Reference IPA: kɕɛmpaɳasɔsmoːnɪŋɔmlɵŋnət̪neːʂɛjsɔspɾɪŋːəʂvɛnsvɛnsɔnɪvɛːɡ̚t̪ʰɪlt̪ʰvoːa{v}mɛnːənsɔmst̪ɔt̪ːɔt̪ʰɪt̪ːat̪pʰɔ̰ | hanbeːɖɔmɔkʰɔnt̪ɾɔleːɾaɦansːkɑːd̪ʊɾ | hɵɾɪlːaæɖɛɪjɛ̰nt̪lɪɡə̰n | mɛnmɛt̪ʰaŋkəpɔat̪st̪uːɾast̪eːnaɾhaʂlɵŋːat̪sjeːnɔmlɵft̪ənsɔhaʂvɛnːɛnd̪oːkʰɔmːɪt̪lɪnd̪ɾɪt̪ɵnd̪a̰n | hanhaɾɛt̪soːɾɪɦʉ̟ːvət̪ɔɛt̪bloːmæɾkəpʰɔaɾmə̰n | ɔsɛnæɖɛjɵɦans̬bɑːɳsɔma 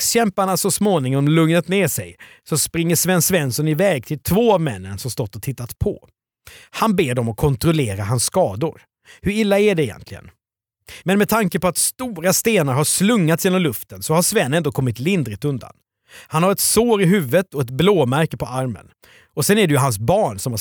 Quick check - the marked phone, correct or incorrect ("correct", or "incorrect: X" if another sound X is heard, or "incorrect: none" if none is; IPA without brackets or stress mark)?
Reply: correct